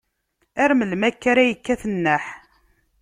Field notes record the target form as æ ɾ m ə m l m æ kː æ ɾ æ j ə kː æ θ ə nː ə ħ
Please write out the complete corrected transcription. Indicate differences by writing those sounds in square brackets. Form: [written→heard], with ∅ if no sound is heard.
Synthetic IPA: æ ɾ m ə [m→∅] l m æ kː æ ɾ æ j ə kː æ θ ə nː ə ħ